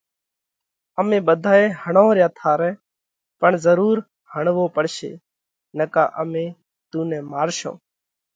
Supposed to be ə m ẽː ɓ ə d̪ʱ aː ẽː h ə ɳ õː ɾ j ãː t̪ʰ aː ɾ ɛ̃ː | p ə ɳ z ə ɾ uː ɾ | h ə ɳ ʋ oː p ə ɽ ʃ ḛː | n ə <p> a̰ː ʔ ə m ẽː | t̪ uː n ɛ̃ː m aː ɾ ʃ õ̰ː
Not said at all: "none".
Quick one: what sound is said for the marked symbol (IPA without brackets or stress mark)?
k